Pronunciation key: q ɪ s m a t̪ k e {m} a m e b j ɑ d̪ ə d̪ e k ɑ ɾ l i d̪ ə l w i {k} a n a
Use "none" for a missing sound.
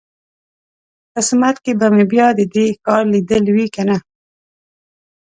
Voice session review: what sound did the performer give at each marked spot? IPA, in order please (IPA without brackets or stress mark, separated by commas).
b, k